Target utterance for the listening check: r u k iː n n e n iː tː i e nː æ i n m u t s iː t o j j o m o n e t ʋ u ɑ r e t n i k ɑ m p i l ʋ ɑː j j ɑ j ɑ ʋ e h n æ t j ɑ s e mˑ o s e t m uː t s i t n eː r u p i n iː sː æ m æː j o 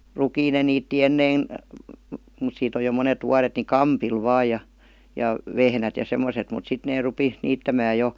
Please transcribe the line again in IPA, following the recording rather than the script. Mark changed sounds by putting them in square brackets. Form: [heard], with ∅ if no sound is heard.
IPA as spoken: r u k iː n n e n iː tː i e nː [e] i n m u t s iː t o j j o m o n e t ʋ u ɑ r e t n i k ɑ m p i l ʋ ɑː j j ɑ j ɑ ʋ e h n æ t j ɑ s e mˑ o s e t m [u] t s i t n eː r u p i n iː [tː] æ m æː j o